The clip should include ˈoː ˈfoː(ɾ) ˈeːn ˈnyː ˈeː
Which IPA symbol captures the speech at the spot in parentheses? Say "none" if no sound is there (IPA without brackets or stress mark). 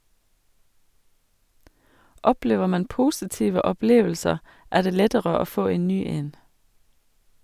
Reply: none